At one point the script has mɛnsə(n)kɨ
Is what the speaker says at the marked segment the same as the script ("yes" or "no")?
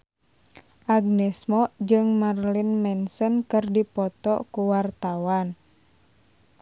yes